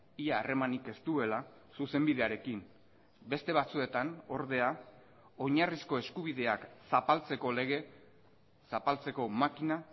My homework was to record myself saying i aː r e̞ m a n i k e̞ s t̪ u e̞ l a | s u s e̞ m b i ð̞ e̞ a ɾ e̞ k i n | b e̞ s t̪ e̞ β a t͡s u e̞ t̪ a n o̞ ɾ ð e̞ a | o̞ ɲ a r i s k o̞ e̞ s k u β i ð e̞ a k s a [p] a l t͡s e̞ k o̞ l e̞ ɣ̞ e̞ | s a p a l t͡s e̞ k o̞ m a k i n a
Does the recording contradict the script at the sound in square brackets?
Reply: no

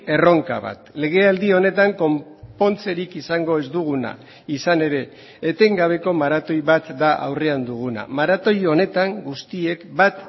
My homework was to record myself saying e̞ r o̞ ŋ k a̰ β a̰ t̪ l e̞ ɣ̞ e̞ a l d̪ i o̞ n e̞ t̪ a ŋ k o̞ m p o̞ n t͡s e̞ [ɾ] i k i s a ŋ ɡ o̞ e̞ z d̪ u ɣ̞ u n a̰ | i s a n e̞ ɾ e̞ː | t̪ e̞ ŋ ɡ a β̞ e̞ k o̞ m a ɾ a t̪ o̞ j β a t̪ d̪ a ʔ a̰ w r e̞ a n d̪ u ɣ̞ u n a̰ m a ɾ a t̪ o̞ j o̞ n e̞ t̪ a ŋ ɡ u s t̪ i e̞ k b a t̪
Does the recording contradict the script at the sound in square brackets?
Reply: no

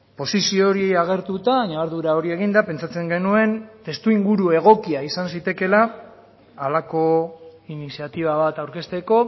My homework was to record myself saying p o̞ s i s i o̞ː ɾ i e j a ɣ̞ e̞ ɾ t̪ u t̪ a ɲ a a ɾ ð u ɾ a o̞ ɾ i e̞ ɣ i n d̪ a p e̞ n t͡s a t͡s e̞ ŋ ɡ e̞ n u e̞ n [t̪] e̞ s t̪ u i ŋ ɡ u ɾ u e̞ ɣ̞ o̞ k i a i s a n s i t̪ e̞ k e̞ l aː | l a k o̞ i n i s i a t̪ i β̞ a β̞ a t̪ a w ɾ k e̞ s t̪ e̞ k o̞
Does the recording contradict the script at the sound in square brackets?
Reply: no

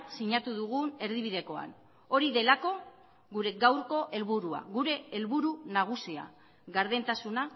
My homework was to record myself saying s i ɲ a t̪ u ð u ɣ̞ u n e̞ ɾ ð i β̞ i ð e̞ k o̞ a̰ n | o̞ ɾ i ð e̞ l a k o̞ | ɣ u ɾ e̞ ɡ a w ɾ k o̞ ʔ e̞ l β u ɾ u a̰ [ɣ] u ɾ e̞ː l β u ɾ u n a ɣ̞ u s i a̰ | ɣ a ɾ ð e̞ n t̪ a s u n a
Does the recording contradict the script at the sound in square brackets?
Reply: no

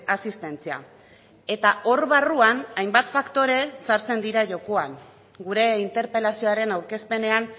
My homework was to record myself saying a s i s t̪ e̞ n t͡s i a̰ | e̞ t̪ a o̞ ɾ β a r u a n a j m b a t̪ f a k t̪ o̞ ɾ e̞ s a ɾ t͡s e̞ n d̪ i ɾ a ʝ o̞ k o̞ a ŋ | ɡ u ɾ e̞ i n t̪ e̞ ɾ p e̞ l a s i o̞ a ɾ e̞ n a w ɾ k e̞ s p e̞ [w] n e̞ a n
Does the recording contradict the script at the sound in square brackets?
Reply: yes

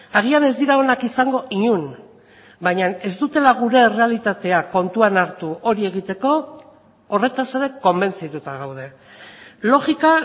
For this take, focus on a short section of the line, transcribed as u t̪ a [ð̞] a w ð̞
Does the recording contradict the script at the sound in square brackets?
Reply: yes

